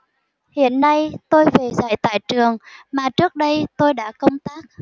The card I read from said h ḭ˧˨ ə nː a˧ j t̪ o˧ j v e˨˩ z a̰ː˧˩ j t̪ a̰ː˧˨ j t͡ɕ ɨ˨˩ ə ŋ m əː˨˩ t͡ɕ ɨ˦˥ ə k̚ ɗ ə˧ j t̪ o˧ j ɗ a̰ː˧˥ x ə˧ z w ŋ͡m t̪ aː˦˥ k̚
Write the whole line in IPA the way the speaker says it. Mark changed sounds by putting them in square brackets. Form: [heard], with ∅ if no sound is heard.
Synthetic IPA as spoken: h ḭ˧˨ ə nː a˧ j t̪ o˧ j v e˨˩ z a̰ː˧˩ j t̪ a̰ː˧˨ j t͡ɕ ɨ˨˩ ə ŋ m [aː˨˩] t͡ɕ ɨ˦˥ ə k̚ ɗ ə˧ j t̪ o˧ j ɗ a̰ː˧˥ [k] ə˧ [∅] w ŋ͡m t̪ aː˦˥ k̚